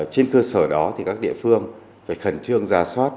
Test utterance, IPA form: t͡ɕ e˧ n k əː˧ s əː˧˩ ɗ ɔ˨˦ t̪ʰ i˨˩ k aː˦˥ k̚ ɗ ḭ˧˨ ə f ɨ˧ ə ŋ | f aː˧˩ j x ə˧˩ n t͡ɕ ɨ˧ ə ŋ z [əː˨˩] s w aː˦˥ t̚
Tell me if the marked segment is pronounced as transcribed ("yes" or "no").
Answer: no